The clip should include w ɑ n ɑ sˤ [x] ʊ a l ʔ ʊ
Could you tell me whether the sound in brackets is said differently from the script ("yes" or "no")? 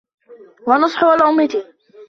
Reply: yes